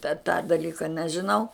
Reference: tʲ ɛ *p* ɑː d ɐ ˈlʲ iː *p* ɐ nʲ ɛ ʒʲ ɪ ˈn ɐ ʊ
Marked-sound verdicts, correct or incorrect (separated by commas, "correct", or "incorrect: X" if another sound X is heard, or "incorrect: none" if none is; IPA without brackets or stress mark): incorrect: t, incorrect: k